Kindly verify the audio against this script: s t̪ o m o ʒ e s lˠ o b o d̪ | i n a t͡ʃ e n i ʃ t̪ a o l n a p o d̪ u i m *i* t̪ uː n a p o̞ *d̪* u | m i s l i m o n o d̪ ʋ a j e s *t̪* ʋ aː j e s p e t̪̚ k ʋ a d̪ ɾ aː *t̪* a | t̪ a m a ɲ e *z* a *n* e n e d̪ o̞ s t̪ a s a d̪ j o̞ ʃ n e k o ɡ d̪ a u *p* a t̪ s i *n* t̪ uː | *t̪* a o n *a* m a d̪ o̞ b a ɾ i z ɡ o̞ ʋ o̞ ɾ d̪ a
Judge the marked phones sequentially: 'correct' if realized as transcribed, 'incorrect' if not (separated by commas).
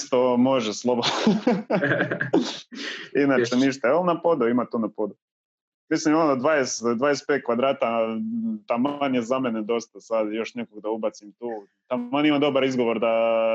incorrect, correct, incorrect, correct, correct, incorrect, incorrect, incorrect, correct, incorrect